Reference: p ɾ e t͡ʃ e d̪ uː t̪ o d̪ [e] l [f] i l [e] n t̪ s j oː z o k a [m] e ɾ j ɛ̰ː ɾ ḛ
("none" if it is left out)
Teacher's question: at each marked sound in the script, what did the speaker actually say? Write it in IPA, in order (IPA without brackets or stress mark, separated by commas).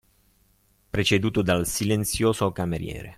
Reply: a, s, e, m